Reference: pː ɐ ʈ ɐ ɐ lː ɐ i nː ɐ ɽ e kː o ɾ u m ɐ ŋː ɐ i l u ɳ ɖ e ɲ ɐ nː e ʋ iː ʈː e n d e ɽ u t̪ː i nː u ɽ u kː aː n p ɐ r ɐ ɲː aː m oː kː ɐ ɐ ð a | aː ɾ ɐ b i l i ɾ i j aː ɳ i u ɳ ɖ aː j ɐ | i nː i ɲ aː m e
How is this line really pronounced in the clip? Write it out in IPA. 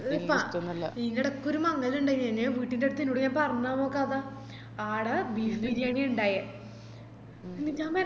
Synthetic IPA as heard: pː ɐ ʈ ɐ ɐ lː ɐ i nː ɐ ɽ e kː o ɾ u m ɐ ŋː ɐ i l u ɳ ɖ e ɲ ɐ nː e ʋ iː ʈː i n d e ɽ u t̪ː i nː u ɽ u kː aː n p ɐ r ɐ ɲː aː m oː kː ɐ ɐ ð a | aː ɽ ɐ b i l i ɾ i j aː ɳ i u ɳ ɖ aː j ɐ | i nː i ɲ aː m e